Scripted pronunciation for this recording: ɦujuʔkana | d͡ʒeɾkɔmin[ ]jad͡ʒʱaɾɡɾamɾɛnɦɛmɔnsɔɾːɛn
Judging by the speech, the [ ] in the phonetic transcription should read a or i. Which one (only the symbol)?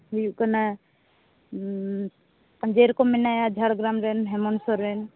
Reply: a